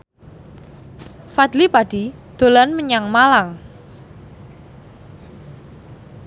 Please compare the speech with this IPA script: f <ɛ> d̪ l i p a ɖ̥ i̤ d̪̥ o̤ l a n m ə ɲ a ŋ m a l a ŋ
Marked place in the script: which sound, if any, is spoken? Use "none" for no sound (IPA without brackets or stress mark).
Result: a